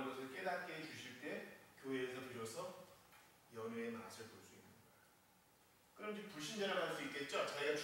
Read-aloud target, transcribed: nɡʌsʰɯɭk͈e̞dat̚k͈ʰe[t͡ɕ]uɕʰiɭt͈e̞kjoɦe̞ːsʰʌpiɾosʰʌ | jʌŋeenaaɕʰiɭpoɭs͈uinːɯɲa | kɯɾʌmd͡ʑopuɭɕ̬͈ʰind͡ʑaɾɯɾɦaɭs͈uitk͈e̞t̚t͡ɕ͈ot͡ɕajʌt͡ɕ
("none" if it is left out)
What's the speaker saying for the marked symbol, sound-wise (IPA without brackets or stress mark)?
t͡ɕ